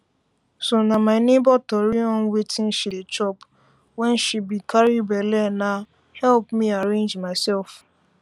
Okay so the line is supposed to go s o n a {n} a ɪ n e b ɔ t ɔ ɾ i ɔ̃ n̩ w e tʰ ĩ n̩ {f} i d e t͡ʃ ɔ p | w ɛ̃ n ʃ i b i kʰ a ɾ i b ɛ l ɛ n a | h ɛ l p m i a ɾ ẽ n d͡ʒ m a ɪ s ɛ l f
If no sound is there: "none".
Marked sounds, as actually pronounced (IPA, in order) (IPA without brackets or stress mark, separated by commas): m, ʃ